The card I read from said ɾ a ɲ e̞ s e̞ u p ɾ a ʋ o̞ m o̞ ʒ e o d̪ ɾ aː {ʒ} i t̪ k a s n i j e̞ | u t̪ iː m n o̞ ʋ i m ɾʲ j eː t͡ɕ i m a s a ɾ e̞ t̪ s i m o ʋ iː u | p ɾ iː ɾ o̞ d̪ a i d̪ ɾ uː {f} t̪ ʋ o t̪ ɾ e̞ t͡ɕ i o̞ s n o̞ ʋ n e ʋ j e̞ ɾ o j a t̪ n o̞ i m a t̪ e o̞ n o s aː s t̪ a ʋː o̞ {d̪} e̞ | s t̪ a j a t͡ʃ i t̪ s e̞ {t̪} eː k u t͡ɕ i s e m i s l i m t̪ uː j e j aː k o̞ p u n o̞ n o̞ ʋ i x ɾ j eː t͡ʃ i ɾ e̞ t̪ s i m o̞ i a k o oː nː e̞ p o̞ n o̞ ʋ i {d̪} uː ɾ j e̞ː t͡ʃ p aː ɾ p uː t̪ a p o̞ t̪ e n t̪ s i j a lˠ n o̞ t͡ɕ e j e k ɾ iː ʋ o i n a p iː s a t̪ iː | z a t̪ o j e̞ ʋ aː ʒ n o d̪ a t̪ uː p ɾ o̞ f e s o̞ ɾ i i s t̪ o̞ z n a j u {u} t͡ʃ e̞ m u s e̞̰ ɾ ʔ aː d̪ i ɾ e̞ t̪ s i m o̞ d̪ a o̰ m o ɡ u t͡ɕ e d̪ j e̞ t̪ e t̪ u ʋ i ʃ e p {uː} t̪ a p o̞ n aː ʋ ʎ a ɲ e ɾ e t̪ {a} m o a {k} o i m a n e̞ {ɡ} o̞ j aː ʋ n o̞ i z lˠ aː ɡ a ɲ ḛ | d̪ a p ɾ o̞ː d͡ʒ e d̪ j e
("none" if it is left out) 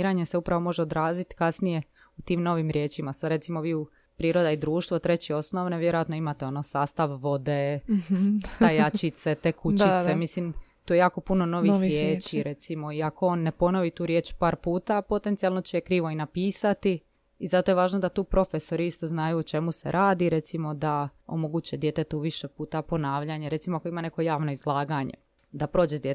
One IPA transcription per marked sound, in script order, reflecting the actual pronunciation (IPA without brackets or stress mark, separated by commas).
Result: z, ʃ, d̪, t̪, t̪, o, uː, i, k, k